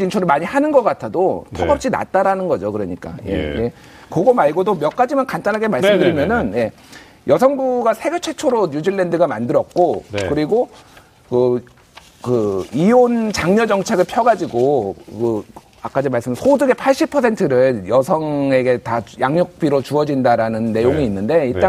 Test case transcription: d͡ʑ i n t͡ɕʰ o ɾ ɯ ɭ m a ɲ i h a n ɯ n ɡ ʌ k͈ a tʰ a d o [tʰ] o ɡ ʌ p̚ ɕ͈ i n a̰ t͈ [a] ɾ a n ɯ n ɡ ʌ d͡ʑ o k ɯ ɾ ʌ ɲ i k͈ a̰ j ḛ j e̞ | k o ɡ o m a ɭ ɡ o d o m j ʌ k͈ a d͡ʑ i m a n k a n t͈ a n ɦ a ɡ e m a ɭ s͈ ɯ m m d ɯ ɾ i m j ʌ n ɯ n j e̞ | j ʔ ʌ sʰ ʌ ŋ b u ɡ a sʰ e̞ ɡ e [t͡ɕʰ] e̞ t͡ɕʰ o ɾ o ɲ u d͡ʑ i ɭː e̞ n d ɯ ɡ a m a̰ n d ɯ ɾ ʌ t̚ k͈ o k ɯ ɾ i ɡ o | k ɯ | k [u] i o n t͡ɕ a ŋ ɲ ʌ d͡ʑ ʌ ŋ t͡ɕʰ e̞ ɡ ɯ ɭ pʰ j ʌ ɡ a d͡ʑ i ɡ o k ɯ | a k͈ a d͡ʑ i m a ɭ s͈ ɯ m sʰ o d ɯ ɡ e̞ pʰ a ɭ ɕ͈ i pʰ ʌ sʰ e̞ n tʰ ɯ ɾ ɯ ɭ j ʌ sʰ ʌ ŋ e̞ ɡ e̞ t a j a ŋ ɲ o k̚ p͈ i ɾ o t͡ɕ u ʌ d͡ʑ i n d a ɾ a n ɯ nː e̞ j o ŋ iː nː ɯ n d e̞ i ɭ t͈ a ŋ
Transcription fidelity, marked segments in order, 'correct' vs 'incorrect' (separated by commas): correct, correct, correct, incorrect